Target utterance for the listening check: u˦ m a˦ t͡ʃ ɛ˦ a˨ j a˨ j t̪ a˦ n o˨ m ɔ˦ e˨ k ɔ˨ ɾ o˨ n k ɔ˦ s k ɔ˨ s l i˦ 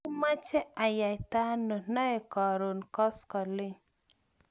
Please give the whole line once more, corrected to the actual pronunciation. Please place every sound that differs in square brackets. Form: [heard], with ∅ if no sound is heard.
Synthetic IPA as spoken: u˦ m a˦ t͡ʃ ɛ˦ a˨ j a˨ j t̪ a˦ n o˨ [n] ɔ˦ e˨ k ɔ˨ ɾ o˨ n k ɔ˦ s k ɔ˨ [∅] l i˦